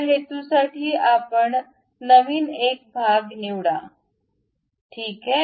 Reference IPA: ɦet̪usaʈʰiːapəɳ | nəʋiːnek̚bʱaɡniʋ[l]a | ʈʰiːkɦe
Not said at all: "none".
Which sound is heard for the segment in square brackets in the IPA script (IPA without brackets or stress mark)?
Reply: ɽ